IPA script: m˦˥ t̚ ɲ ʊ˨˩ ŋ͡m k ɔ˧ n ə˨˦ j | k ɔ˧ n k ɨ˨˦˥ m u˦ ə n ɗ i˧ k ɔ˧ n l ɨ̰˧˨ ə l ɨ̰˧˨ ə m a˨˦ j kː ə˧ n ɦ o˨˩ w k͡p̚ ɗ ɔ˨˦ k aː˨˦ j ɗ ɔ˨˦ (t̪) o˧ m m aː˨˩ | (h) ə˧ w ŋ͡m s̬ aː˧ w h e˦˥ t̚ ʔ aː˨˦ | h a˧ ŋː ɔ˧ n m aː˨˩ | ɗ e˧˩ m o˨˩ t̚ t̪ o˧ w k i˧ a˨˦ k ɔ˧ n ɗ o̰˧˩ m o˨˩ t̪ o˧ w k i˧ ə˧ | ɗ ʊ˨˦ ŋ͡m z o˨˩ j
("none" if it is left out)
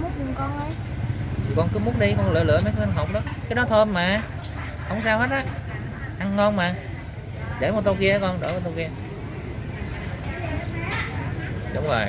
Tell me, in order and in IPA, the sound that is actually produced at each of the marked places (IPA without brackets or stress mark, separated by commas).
t̪ʰ, h